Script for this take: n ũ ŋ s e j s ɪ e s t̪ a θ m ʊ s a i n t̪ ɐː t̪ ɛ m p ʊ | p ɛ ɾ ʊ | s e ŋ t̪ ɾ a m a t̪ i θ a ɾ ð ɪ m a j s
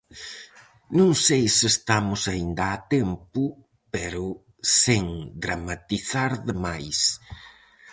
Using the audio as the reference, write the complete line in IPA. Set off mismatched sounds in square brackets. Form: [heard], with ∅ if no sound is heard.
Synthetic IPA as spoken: n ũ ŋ s e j s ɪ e s t̪ a [∅] m ʊ s a i n [d̪] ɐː t̪ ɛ m p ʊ | p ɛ ɾ ʊ | s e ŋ [d̪] ɾ a m a t̪ i θ a ɾ ð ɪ m a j s